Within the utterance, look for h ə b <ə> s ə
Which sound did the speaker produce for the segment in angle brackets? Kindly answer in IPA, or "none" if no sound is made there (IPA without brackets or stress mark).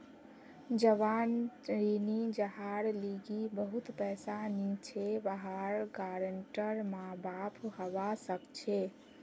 a